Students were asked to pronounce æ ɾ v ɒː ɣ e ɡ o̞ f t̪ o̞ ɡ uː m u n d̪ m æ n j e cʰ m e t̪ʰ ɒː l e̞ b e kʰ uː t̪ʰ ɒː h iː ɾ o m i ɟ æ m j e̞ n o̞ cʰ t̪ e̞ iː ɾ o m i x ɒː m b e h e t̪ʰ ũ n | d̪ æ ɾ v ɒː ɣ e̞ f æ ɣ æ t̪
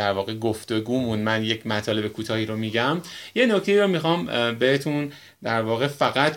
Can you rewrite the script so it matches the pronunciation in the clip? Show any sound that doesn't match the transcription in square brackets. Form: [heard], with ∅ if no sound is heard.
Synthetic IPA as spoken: æ ɾ v ɒː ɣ e ɡ o̞ f t̪ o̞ ɡ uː m u n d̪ m æ n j e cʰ m [æ] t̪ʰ ɒː l e̞ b e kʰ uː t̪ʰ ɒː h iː ɾ o m i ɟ æ m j e̞ n o̞ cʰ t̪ e̞ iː ɾ o m i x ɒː m b e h e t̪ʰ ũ n | d̪ æ ɾ v ɒː ɣ e̞ f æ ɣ æ t̪